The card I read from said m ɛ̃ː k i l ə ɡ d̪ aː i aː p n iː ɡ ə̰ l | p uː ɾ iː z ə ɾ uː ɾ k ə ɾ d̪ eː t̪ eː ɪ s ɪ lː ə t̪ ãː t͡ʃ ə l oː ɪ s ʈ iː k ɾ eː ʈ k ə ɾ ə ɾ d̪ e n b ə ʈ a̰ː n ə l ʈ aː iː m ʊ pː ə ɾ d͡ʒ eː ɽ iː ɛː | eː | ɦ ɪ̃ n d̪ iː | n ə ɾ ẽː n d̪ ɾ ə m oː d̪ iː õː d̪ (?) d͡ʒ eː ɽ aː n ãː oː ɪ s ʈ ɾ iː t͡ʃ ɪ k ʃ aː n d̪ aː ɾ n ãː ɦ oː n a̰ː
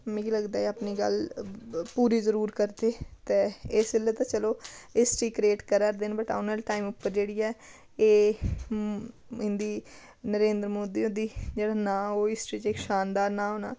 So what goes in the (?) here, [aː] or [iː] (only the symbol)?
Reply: iː